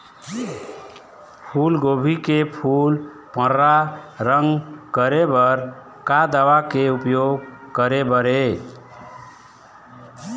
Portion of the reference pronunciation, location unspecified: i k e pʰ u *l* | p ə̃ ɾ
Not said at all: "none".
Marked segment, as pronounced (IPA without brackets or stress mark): l